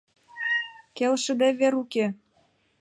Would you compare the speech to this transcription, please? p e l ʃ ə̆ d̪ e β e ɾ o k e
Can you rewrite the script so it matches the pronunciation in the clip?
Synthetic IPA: k e l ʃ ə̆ d̪ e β e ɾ u k e